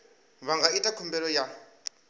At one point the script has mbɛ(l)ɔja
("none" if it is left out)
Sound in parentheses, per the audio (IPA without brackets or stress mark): l